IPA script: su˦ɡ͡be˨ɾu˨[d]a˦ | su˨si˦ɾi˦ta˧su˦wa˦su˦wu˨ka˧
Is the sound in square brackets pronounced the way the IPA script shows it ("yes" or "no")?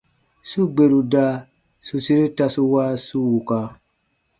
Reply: yes